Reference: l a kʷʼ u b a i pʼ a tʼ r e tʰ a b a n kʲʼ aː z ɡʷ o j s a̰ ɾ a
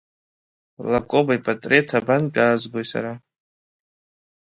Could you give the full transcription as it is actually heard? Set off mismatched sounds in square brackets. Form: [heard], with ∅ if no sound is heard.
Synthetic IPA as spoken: l a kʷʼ [o] b a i pʼ a tʼ r e tʰ a b a n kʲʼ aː z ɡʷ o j s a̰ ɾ a